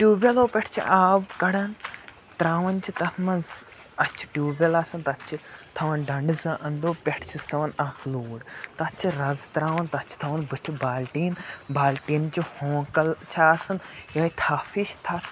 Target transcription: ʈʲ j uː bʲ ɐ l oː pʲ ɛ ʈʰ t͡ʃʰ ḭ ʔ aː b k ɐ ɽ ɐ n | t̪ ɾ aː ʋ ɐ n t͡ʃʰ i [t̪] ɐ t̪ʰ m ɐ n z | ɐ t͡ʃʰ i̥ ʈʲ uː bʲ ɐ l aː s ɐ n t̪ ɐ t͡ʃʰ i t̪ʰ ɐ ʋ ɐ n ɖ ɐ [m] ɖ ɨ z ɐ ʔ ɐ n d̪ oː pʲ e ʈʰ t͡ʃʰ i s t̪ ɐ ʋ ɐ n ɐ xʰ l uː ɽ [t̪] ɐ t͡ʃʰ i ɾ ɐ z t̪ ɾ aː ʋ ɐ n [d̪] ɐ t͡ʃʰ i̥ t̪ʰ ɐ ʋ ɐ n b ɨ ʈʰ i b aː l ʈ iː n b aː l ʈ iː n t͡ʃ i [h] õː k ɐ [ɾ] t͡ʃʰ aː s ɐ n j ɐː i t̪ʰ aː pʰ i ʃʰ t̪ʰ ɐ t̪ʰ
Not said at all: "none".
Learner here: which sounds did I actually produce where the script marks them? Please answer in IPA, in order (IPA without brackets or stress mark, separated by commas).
t̪, ɳ, t̪, t̪, h, l